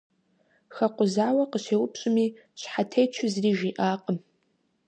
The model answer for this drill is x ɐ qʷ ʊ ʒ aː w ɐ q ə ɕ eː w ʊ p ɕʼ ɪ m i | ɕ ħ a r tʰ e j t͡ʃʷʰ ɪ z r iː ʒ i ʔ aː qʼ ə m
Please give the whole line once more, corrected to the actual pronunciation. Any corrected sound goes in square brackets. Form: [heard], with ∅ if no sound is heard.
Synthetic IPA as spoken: x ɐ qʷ ʊ [z] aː w ɐ q ə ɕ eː w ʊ p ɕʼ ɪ m i | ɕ ħ a [∅] tʰ e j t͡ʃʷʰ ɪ z r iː ʒ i ʔ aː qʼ ə m

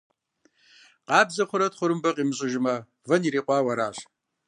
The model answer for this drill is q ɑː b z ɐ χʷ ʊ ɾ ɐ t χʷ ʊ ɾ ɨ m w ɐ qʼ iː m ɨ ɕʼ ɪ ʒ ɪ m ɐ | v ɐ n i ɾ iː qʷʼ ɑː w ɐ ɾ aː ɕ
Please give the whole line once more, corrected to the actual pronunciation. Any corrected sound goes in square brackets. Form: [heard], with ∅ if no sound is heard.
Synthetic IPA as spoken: q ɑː b z ɐ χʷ ʊ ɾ ɐ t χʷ ʊ ɾ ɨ m [b] ɐ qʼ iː m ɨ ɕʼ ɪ ʒ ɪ m ɐ | v ɐ n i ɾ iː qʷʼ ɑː w ɐ ɾ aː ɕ

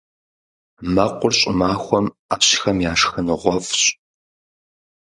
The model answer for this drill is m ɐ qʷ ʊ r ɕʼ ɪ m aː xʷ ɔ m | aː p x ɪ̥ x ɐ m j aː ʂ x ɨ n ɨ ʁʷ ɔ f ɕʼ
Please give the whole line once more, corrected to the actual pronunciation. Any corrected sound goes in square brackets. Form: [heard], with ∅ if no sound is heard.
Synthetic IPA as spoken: m ɐ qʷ ʊ r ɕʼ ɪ m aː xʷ ɔ m | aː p [ɕ] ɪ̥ x ɐ m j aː ʂ x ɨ n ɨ ʁʷ ɔ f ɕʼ

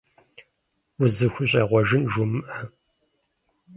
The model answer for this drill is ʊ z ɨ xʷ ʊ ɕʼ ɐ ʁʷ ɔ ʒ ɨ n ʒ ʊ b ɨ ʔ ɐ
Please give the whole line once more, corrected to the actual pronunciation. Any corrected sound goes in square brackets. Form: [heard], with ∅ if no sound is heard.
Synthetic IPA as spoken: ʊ z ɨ xʷ ʊ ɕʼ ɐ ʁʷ ɔ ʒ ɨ n ʒ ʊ [m] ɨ ʔ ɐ

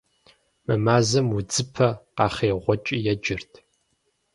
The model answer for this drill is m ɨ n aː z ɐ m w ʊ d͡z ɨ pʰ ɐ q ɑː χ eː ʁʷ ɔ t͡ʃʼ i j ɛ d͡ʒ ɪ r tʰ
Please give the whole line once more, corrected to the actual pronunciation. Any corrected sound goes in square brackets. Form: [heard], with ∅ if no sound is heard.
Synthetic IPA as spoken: m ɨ [m] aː z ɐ m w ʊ d͡z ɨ pʰ ɐ q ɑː χ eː ʁʷ ɔ t͡ʃʼ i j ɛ d͡ʒ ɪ r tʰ

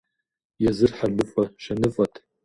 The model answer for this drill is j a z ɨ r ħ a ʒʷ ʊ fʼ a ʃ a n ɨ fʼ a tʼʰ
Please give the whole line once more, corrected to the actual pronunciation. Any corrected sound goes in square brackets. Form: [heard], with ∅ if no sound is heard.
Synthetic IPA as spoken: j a z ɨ r ħ a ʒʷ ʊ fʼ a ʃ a n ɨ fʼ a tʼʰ

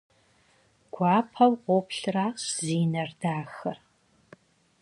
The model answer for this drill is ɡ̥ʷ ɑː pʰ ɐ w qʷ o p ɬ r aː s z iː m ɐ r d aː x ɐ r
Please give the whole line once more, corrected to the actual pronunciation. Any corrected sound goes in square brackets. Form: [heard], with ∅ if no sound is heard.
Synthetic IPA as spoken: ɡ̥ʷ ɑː pʰ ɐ w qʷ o p ɬ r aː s z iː [n] ɐ r d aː x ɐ r

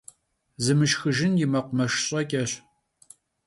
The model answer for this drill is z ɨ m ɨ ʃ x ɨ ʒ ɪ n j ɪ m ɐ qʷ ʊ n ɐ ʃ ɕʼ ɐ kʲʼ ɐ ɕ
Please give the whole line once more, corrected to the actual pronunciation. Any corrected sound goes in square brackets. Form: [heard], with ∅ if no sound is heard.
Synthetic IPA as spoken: z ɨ m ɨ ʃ x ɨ ʒ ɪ n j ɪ m ɐ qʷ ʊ [m] ɐ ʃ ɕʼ ɐ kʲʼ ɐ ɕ

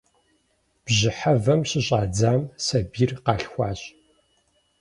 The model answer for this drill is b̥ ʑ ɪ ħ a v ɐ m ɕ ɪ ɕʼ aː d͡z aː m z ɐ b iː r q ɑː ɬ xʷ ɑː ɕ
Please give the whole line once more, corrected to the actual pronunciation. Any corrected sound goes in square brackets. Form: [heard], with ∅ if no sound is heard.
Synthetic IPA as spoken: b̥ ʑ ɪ ħ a v ɐ m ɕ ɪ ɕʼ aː d͡z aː m [s] ɐ b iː r q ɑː ɬ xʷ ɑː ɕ

